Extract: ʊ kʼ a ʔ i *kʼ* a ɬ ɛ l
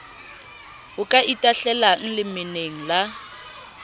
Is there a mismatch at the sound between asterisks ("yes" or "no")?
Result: yes